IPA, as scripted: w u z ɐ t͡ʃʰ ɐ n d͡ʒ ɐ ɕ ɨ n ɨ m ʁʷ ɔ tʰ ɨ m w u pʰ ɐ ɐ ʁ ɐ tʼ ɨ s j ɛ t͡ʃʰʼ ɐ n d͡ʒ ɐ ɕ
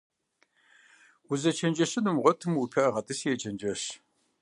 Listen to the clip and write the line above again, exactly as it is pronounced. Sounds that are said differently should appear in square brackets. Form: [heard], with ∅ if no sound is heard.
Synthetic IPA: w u z ɐ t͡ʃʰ ɐ n d͡ʒ ɐ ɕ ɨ n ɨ m ʁʷ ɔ tʰ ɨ m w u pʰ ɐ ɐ ʁ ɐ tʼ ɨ s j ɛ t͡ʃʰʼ ɐ n d͡ʒ ɐ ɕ